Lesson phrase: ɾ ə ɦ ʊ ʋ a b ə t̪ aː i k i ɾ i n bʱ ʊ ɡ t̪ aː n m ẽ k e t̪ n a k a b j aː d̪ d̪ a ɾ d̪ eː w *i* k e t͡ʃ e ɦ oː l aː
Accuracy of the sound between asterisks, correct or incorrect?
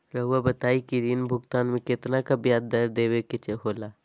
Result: incorrect